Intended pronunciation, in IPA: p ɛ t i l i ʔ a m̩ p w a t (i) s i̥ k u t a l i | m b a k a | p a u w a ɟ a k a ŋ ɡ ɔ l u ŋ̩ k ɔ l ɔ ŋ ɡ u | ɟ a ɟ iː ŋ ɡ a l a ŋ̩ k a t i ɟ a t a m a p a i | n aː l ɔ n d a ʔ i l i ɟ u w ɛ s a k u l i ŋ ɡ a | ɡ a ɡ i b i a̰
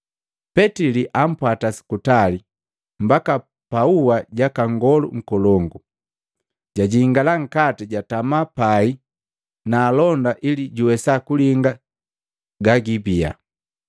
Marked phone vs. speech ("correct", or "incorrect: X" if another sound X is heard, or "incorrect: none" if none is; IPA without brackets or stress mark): incorrect: a